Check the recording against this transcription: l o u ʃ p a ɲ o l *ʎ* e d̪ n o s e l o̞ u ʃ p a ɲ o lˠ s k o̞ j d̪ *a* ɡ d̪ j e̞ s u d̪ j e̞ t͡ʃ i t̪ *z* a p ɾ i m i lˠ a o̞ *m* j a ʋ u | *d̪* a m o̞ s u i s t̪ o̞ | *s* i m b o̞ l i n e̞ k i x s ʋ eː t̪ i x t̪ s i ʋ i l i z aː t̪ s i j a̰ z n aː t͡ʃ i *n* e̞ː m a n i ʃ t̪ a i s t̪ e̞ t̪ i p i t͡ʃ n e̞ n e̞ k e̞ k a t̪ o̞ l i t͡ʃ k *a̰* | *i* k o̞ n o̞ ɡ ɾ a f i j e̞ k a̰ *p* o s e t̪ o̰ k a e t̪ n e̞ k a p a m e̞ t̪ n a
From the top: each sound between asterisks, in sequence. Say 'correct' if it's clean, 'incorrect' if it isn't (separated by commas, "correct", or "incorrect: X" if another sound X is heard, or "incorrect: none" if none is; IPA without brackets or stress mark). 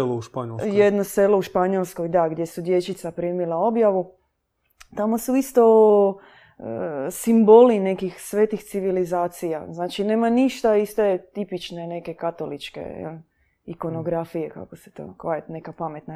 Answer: incorrect: j, correct, incorrect: s, incorrect: b, incorrect: t̪, correct, correct, incorrect: ḛ, correct, incorrect: k